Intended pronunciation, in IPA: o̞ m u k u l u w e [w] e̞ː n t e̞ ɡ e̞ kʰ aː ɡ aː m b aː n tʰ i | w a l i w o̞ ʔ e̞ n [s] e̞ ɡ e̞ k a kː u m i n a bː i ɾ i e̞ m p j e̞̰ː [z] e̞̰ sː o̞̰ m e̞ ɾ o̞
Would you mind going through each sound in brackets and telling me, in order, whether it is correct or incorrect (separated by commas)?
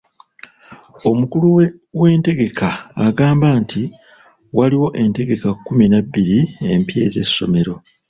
correct, incorrect, correct